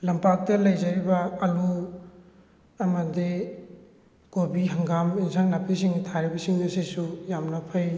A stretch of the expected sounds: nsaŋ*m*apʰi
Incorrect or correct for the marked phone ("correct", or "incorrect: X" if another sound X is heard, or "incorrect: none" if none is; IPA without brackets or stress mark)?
incorrect: n